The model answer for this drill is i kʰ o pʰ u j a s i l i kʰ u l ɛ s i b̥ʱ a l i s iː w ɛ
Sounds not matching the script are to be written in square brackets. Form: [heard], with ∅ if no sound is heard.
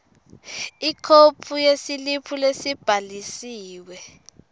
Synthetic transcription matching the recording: i kʰ o pʰ u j [e] s i l i [pʰ] u l [e] s i b̥ʱ a l i s iː w ɛ